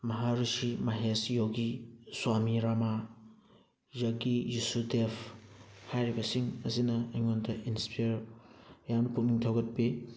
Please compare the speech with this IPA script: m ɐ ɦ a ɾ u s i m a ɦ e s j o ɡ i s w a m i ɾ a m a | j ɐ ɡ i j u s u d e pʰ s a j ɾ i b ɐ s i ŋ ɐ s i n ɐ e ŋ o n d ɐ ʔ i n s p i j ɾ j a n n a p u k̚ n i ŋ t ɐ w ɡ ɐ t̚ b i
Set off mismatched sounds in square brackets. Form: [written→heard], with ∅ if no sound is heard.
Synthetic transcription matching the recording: m ɐ ɦ a ɾ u s i m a ɦ e s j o ɡ i s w a m i ɾ a m a | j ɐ ɡ i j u s u d e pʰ [s→h] a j ɾ i b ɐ s i ŋ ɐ s i n ɐ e ŋ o n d ɐ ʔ i n s p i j ɾ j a [n→m] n [a→ɐ] p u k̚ n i ŋ [t→tʰ] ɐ w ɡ ɐ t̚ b i